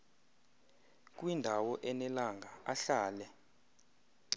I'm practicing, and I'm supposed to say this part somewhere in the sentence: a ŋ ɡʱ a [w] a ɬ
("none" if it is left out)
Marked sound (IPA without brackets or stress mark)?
none